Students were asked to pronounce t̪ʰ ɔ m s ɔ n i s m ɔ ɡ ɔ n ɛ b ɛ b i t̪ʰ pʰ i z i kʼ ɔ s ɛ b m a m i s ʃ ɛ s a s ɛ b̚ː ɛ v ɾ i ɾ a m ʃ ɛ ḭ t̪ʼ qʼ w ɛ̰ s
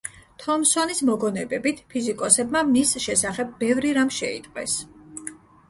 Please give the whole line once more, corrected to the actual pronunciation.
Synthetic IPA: t̪ʰ ɔ m s ɔ n i s m ɔ ɡ ɔ n ɛ b ɛ b i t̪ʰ pʰ i z i kʼ ɔ s ɛ b m a m i s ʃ ɛ s a χ ɛ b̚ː ɛ v ɾ i ɾ a m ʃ ɛ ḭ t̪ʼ qʼ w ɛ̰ s